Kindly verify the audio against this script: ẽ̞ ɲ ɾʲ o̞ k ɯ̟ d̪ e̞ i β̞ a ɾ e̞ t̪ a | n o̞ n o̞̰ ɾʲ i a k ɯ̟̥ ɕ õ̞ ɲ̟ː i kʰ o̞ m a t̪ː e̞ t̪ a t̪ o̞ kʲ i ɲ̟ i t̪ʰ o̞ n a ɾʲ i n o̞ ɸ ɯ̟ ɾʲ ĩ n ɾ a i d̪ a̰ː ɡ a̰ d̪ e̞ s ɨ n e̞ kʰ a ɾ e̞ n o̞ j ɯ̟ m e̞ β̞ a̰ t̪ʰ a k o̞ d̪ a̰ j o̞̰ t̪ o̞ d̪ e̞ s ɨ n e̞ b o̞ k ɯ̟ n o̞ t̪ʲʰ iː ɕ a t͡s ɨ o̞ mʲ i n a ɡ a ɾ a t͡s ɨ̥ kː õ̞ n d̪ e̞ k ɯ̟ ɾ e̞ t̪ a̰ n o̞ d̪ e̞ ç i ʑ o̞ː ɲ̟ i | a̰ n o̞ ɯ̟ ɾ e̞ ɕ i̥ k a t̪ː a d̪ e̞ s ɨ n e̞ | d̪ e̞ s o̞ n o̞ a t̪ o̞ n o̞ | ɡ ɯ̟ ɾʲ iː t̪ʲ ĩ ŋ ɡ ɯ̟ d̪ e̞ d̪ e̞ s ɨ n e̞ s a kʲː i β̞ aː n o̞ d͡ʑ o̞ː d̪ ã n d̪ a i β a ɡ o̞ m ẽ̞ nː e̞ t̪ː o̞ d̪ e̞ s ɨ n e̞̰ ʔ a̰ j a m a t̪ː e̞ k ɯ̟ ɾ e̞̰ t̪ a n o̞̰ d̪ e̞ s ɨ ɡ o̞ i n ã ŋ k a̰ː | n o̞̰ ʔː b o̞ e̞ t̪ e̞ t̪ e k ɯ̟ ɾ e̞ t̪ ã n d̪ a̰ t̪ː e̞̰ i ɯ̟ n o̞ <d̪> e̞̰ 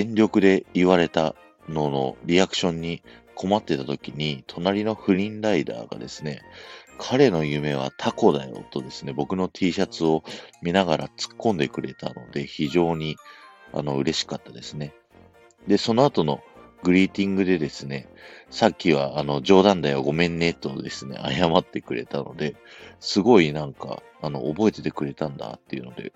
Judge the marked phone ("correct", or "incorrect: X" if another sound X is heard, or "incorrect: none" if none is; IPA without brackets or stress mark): correct